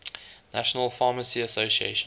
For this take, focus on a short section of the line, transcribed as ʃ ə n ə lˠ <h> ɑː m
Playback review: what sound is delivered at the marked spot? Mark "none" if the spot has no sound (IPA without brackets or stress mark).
f